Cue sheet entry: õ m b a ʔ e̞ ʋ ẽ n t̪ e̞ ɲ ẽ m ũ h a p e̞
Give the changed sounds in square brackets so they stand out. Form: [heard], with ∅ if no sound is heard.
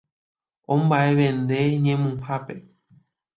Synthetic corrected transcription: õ m b a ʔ e̞ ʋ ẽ n [d̪] e̞ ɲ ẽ m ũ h a p e̞